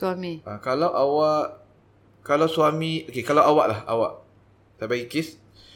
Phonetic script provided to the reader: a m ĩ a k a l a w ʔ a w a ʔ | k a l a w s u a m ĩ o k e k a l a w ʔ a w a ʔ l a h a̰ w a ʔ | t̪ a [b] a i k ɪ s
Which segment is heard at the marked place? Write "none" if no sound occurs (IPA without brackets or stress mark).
b